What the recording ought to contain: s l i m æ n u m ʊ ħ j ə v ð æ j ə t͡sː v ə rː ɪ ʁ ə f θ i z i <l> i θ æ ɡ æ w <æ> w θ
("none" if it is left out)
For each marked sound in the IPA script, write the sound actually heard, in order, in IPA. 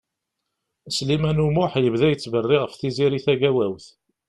ɾ, æ

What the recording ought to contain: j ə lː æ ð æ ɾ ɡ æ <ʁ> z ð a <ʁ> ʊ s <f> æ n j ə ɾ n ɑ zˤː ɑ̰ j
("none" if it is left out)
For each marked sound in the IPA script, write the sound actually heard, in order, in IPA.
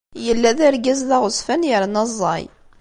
none, ʁ, f

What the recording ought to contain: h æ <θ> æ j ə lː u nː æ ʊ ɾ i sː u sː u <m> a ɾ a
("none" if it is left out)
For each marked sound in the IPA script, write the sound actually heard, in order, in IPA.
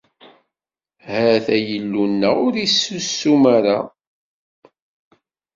θ, m

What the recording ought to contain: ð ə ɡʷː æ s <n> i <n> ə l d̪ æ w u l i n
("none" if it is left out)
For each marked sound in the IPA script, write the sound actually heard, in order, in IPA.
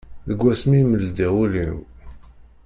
m, m

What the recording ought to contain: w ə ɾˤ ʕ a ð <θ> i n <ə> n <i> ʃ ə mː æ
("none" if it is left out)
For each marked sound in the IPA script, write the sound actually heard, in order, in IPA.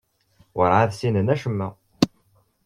s, ə, æ

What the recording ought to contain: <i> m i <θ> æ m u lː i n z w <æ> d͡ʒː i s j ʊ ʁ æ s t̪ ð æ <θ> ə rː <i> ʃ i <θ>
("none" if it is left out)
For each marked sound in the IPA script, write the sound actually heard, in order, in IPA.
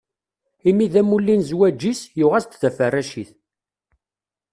i, ð, æ, f, æ, θ

